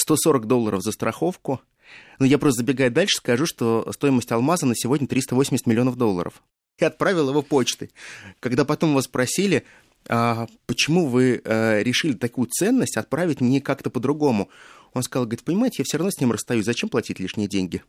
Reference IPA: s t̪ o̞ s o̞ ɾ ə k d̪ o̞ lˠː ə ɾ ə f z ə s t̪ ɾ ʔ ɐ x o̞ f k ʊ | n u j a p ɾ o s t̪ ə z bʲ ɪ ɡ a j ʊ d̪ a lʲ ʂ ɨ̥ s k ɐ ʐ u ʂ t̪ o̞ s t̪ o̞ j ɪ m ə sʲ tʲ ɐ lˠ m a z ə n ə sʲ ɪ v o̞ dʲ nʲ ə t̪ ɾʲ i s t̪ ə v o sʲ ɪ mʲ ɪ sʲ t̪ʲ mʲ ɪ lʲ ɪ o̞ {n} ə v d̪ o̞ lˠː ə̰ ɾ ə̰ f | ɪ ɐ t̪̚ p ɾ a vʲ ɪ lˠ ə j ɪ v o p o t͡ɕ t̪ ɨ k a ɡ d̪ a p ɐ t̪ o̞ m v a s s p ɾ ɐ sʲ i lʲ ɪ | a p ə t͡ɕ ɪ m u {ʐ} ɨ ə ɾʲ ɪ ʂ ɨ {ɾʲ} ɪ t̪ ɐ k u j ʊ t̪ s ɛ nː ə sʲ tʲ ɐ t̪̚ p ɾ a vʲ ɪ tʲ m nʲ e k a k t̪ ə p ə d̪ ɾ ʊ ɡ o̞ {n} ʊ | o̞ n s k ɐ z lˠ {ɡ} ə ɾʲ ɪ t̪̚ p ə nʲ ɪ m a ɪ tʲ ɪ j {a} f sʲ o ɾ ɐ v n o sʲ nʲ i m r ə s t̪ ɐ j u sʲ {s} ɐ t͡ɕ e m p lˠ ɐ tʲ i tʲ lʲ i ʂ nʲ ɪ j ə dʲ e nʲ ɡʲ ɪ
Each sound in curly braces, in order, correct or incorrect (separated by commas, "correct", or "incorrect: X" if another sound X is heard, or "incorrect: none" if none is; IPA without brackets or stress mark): correct, incorrect: v, incorrect: lʲ, incorrect: m, correct, correct, incorrect: z